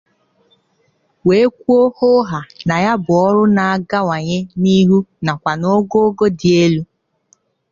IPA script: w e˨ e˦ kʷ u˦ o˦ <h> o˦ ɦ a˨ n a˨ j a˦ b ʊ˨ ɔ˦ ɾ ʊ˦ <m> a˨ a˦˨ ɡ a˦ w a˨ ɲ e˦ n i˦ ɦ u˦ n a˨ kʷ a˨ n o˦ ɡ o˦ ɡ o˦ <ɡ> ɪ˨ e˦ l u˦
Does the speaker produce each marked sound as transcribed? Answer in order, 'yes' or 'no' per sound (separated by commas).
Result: yes, no, no